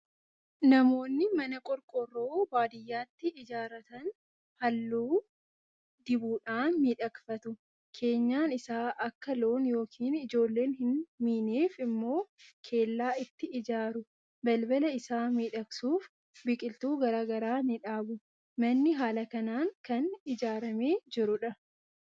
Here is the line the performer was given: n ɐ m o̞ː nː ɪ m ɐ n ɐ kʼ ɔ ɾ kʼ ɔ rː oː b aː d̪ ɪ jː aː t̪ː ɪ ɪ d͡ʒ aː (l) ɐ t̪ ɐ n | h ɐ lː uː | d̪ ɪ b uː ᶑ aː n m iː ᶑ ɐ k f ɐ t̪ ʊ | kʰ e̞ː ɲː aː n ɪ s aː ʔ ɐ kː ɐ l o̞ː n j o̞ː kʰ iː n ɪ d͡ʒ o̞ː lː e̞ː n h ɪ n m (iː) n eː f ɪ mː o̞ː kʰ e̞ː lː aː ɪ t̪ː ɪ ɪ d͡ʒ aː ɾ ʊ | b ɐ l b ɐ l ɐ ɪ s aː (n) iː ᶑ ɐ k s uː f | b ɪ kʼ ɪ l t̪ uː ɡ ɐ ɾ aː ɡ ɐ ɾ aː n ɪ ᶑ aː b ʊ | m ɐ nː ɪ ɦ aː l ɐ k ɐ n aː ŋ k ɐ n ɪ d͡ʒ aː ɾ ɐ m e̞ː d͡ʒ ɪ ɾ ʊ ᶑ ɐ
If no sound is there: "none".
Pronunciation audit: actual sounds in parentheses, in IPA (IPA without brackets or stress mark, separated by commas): ɾ, iː, m